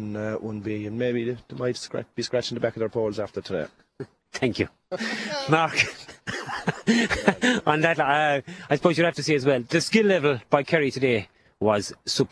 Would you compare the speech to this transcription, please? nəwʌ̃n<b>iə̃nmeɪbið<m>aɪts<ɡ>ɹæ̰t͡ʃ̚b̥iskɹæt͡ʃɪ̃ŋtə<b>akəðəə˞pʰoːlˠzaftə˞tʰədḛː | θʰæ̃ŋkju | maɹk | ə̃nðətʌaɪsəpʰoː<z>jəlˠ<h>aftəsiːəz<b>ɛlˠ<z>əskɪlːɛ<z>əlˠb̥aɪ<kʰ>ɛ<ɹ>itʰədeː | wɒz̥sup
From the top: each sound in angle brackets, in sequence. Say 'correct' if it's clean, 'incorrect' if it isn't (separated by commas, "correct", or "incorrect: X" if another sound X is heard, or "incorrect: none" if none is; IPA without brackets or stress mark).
correct, correct, incorrect: k, correct, correct, correct, incorrect: w, incorrect: ð, incorrect: v, correct, correct